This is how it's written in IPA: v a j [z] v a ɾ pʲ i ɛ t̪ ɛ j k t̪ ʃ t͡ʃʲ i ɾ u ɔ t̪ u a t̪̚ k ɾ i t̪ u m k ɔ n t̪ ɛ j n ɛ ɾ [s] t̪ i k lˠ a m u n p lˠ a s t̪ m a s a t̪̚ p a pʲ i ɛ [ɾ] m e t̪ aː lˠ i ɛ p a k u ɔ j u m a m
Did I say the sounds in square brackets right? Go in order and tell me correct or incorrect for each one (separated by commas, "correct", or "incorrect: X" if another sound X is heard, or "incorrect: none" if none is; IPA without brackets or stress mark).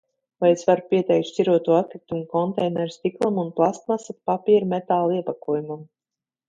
incorrect: s, correct, correct